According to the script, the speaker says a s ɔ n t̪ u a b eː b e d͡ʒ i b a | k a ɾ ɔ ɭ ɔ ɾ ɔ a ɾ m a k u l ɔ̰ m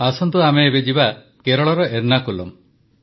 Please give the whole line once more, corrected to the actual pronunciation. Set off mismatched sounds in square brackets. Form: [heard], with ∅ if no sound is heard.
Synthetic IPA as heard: a s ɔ n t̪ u a [m] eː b e d͡ʒ i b a | k [e] ɾ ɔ ɭ ɔ ɾ ɔ [e] ɾ [n] a k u l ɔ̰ m

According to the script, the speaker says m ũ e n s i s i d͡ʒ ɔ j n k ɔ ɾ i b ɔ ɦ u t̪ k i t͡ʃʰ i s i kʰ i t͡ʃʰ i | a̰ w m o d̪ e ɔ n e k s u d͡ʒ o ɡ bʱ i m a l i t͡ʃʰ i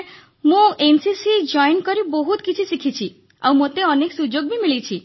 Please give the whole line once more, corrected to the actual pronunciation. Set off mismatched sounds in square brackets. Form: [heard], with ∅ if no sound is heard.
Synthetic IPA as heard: m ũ e n s i s i d͡ʒ ɔ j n k ɔ ɾ i b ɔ ɦ u t̪ k i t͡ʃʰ i s i kʰ i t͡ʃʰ i | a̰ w m o [t̪] e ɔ n e k s u d͡ʒ o ɡ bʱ i m [i] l i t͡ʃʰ i

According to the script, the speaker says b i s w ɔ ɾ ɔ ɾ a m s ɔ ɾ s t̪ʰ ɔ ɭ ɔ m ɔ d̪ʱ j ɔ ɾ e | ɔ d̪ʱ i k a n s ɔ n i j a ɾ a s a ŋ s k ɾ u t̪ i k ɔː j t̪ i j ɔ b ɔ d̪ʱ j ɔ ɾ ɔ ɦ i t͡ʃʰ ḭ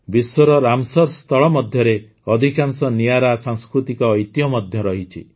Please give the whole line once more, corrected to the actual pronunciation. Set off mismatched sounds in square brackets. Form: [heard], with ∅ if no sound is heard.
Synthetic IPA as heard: b i s w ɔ ɾ ɔ ɾ a m s ɔ ɾ s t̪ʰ ɔ ɭ ɔ m ɔ d̪ʱ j ɔ ɾ e | ɔ d̪ʱ i k a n s ɔ n i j a ɾ a s a ŋ s k ɾ u t̪ i k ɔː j t̪ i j ɔ [m] ɔ d̪ʱ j ɔ ɾ ɔ ɦ i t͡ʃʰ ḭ

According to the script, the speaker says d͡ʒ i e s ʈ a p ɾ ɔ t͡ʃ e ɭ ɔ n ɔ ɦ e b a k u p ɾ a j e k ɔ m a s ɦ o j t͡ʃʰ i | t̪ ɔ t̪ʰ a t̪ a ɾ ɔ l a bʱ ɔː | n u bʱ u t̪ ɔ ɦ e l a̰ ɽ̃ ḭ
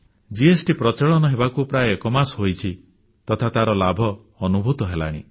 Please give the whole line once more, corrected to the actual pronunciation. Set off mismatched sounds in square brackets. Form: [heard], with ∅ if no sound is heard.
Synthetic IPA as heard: d͡ʒ i e s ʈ [i] p ɾ ɔ t͡ʃ e ɭ ɔ n ɔ ɦ e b a k u p ɾ a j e k ɔ m a s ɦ o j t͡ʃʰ i | t̪ ɔ t̪ʰ a t̪ a ɾ ɔ l a bʱ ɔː | n u bʱ u t̪ ɔ ɦ e l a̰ ɽ̃ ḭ

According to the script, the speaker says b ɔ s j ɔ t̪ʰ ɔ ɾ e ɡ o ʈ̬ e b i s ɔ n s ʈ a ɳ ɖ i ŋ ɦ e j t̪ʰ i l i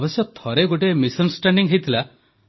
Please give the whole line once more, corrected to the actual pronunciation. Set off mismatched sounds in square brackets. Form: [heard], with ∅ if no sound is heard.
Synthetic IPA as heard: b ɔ s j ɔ t̪ʰ ɔ ɾ e ɡ o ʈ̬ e [m] i s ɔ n s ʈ a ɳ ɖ i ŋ ɦ e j t̪ʰ i l [a]

